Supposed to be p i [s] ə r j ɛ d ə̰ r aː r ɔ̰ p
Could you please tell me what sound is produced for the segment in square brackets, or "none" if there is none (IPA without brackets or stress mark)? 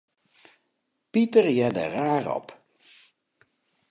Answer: t